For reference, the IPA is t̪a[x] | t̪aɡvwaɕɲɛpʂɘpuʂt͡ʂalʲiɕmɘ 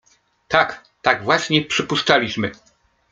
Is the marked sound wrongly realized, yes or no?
yes